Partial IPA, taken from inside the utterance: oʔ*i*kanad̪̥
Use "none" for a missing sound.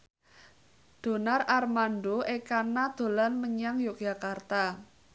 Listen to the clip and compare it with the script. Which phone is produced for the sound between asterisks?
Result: e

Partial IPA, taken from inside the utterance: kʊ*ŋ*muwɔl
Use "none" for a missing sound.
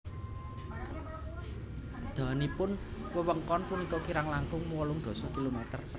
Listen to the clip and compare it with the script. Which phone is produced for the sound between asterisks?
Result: ŋ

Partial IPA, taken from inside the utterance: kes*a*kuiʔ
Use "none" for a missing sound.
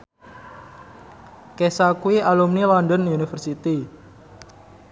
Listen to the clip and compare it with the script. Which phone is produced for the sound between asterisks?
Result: a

